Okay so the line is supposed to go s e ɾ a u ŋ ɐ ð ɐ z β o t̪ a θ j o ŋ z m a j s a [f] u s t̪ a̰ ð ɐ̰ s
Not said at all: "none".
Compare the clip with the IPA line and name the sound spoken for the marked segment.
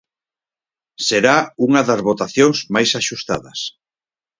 ʃ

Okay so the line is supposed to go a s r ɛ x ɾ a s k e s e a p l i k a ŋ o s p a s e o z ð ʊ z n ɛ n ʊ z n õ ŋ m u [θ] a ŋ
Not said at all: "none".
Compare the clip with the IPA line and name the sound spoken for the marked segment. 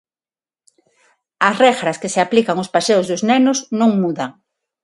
ð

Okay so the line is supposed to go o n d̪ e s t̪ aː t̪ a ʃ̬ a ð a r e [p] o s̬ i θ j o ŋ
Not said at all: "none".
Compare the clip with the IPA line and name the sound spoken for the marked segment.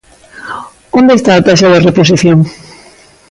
p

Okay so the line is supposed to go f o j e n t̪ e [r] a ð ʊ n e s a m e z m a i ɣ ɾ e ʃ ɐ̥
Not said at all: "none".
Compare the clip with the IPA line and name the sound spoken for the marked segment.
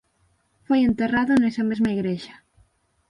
r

